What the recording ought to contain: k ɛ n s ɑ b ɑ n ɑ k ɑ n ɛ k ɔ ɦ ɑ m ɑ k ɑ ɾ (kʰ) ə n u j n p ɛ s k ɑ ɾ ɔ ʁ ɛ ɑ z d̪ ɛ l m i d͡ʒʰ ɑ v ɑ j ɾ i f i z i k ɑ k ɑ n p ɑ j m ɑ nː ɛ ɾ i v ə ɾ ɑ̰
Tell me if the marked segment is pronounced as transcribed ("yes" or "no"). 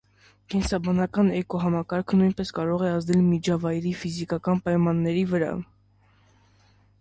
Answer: yes